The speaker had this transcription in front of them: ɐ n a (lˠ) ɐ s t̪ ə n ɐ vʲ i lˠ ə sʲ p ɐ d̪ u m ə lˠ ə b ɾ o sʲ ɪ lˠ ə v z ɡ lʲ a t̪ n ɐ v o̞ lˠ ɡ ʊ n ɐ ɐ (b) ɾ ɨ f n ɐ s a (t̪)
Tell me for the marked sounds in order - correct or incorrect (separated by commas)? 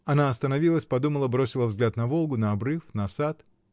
incorrect, correct, correct